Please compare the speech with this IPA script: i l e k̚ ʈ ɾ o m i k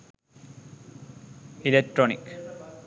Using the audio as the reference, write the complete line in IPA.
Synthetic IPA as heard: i l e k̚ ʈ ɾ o n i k